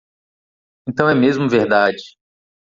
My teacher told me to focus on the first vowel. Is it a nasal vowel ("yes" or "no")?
yes